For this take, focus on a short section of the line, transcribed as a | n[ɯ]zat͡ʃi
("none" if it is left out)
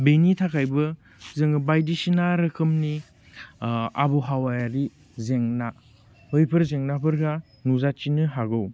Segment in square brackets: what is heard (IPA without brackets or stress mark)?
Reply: u